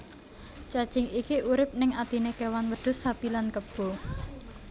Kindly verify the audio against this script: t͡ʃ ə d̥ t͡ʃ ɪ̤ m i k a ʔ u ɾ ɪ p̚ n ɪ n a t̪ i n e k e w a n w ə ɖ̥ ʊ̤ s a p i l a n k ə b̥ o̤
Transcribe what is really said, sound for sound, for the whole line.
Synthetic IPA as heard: t͡ʃ a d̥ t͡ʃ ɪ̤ ŋ i k i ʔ u ɾ ɪ p̚ n ɪ ŋ a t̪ i n e k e w a n w ə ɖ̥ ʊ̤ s a p i l a n k ə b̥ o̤